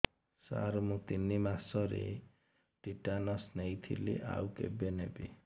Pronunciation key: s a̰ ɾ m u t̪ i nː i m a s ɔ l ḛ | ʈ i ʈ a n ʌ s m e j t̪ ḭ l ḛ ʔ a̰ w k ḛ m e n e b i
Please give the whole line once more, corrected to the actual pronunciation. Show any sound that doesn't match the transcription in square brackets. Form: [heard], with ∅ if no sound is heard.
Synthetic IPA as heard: s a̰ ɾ m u t̪ i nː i m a s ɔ [ɾ] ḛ | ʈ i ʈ a n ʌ s [n] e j [t̪ʰ] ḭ l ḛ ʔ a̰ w k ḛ [b] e n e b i

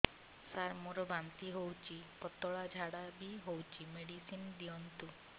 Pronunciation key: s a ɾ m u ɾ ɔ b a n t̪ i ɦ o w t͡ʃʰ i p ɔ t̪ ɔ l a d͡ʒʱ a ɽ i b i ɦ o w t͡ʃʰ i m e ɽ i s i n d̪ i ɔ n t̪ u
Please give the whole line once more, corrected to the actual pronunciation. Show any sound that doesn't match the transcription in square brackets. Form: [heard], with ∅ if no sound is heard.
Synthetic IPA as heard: s a ɾ m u ɾ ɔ b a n t̪ i ɦ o w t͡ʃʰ i p ɔ t̪ ɔ [ɭ] a d͡ʒʱ a ɽ [a] b i ɦ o w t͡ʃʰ i m e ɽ i s i n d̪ i ɔ n t̪ u

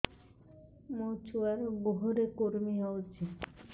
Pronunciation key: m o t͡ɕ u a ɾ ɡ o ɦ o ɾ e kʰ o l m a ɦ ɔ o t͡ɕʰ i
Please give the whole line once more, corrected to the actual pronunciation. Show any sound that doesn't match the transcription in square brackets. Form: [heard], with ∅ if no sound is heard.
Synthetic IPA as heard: m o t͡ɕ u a ɾ ɡ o ɦ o ɾ e [k] o [ɾ] m [i] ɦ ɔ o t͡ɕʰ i

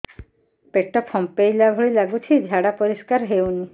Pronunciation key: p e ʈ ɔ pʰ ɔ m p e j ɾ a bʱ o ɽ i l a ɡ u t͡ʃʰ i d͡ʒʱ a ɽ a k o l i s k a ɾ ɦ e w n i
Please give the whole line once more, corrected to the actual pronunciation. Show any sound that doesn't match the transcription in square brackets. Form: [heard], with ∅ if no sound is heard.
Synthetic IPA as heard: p e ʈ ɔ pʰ ɔ m p e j [l] a bʱ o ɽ i l a ɡ u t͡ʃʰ i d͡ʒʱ a ɽ a [p] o [ɾ] i s k a ɾ ɦ e w n i

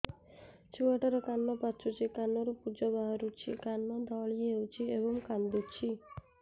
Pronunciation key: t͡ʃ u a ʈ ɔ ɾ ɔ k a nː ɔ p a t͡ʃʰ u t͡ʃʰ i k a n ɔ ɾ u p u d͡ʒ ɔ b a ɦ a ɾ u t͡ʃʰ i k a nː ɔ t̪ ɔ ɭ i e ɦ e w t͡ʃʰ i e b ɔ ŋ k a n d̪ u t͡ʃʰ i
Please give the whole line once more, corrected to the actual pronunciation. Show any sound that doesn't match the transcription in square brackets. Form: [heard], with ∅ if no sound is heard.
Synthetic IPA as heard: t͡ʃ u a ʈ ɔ ɾ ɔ k a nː ɔ p a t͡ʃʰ u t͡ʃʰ i k a n ɔ ɾ u p u d͡ʒ ɔ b a ɦ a ɾ u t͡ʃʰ i k a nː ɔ [d̪] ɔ ɭ i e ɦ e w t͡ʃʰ i e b ɔ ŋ k a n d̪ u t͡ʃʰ i

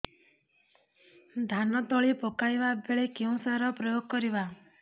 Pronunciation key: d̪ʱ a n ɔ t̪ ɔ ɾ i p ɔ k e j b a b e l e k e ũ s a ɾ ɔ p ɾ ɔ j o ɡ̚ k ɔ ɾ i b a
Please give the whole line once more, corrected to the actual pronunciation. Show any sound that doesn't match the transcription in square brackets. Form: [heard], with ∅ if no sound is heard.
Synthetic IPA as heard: d̪ʱ a n ɔ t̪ ɔ [ɭ] i p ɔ k [a] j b a b e [ɭ] e k e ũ s a ɾ ɔ p ɾ ɔ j o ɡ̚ k ɔ ɾ i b a

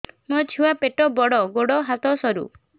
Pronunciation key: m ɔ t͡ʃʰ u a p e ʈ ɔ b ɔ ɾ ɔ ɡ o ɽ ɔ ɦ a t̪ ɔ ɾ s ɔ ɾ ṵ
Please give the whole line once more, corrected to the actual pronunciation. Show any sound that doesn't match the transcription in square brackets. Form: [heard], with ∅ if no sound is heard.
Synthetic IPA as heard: m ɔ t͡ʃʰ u a p e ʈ ɔ b ɔ [ɽ] ɔ ɡ o ɽ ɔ ɦ a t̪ ɔ [∅] s ɔ ɾ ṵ

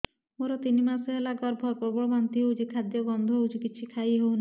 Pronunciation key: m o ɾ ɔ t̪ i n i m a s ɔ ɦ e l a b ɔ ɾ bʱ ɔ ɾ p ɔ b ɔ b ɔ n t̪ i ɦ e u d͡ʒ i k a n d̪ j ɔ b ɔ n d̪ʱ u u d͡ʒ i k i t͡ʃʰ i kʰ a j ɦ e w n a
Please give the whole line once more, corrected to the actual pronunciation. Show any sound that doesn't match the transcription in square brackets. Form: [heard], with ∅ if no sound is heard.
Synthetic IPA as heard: m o ɾ ɔ t̪ i n i m a s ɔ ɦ e l a [ɡ] ɔ ɾ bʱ ɔ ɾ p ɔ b ɔ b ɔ n t̪ i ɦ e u d͡ʒ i [kʰ] a [∅] d̪ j ɔ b ɔ n d̪ʱ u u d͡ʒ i k i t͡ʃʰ i kʰ a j ɦ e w n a

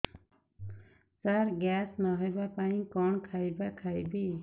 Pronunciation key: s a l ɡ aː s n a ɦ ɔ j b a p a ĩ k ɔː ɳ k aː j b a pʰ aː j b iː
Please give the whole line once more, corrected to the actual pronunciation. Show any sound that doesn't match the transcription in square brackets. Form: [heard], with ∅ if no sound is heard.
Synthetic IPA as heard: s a [ɾ] ɡ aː s n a ɦ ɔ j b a p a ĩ k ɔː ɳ [kʰ] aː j b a [kʰ] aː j b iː

